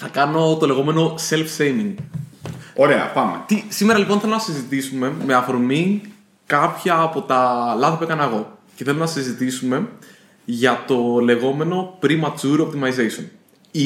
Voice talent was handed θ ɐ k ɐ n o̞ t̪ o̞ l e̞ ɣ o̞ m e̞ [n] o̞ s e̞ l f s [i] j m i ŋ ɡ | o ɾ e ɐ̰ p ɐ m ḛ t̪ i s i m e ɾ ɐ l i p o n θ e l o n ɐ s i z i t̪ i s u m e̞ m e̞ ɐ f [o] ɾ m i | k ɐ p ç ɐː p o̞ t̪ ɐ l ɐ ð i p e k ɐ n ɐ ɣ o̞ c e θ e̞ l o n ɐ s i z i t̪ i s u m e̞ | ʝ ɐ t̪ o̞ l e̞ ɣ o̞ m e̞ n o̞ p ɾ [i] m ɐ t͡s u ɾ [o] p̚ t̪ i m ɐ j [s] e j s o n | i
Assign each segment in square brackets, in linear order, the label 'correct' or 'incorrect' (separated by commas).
correct, incorrect, correct, correct, correct, incorrect